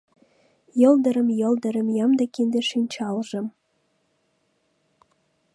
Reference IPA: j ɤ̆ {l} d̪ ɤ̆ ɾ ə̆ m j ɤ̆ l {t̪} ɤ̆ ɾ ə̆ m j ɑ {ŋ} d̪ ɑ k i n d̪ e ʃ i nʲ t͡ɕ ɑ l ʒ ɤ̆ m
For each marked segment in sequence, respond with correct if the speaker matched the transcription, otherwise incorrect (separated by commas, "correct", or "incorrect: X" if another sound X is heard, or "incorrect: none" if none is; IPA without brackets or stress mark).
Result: correct, incorrect: d̪, incorrect: m